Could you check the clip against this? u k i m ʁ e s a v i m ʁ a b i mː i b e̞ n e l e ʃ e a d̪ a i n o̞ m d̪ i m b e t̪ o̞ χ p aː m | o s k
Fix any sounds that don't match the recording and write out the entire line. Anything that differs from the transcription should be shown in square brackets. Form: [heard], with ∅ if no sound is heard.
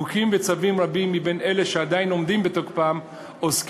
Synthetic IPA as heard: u k i m [v] e [t͡s] a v i m ʁ a b i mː i b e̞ n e l e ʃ e a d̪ a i n o̞ m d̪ i m b e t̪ o̞ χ p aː m | o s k

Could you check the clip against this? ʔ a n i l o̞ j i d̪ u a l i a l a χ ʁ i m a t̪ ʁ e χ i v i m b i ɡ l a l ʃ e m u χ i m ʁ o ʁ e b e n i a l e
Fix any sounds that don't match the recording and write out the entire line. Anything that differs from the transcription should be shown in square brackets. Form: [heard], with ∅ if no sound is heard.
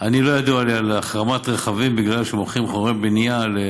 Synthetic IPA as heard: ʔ a n i l o̞ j [a] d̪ u a l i a l a χ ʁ [a] m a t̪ ʁ e χ [a] v i m b i ɡ l a l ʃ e m [o] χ i m [χ] o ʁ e b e n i a l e

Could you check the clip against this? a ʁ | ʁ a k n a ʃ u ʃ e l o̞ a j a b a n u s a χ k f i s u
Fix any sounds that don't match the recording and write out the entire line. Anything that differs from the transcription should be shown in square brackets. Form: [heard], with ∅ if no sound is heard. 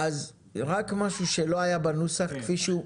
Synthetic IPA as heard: a [z] | ʁ a k [m] a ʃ u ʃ e l o̞ a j a b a n u s a χ k f i [ʃ] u

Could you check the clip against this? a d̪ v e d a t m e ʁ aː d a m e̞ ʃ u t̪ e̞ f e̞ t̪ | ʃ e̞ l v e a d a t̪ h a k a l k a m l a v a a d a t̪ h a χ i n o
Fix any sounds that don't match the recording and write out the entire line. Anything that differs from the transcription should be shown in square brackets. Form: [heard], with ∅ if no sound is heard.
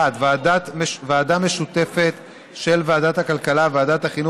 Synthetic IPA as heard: a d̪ v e d a t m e [v] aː d a m e̞ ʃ u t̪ e̞ f e̞ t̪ | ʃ e̞ l v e a d a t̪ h a k a l k a [∅] l a v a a d a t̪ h a χ i n [u]

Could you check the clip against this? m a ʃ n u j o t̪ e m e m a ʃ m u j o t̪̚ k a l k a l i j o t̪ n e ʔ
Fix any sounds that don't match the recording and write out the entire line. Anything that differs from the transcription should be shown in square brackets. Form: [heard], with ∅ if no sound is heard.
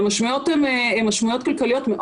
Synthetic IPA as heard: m a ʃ [m] u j o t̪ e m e m a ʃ m u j o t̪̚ k a l k a l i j o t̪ [m] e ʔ

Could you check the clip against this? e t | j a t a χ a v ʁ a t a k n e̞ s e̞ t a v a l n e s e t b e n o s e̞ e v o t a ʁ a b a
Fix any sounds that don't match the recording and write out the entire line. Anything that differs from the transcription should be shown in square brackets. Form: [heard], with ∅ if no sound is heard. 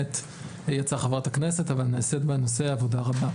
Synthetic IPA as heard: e t | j a [t͡s] a χ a v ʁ a t a k n e̞ s e̞ t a v a l n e s e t b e n o s e̞ [a] v o [d] a ʁ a b a

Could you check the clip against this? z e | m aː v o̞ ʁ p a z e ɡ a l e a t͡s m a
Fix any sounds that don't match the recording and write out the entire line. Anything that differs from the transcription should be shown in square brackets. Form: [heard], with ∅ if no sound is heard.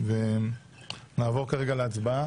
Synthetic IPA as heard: [v] e | [n] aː v o̞ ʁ [k] a [ʁ] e ɡ a l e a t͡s [b] a

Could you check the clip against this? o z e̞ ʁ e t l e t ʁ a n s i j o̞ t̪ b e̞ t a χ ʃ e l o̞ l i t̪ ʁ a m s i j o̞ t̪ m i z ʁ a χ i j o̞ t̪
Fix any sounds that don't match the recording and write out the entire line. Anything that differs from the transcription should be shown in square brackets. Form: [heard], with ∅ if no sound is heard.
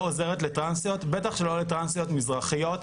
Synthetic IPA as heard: o z e̞ ʁ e t l e t ʁ a n s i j o̞ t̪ b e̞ t a χ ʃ e l o̞ l [e] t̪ ʁ a [n] s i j o̞ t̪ m i z ʁ a χ i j o̞ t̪

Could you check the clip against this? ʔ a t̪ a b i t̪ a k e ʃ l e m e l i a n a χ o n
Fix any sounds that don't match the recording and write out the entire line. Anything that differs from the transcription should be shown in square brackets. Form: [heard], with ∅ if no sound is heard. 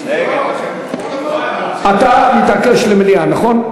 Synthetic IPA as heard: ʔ a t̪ a [m] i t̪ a k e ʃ l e m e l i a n a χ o n

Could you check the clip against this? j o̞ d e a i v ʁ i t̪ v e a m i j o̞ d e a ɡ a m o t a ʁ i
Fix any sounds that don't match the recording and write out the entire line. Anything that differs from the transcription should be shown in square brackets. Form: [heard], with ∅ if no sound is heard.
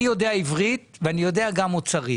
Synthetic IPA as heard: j o̞ d e a i v ʁ i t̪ v e a [n] i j o̞ d e a ɡ a m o [t͡s] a ʁ i

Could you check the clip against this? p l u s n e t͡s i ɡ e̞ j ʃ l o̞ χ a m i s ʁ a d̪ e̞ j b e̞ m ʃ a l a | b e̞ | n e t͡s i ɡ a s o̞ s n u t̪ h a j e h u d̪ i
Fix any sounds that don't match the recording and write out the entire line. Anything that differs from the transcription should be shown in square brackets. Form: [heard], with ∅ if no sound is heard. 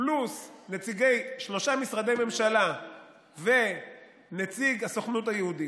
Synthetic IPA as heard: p l u s n e t͡s i ɡ e̞ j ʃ l o̞ [ʃ] a m i s ʁ a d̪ e̞ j [m] e̞ m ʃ a l a | [v] e̞ | n e t͡s i ɡ a s o̞ [χ] n u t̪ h a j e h u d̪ i

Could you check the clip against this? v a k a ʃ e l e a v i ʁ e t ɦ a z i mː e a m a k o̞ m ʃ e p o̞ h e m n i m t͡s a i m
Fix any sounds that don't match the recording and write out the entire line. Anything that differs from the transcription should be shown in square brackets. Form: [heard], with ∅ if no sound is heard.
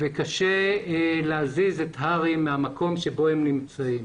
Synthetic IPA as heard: v [e] k a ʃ e l e a [z] i [z] e t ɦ a [ʁ] i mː e a m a k o̞ m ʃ e [b] o̞ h e m n i m t͡s a i m

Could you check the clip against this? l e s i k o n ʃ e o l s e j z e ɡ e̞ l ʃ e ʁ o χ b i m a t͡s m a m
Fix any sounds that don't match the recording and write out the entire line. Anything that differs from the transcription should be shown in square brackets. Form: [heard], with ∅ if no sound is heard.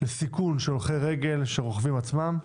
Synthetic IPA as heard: l e s i k [u] n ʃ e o l [χ] e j [ʁ] e ɡ e̞ l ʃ e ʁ o χ [v] i m a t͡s m a m

